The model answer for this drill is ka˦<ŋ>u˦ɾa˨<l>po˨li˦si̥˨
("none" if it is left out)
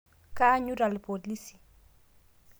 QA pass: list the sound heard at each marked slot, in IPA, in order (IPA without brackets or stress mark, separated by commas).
ɲ, l